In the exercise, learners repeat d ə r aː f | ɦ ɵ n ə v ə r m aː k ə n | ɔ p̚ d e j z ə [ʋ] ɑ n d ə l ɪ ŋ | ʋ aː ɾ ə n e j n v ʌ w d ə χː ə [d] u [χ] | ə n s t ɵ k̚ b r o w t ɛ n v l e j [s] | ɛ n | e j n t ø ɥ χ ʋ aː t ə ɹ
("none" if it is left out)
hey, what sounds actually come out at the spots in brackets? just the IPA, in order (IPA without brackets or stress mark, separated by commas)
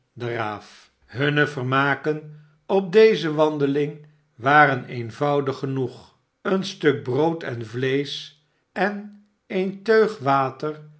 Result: ʋ, n, χ, s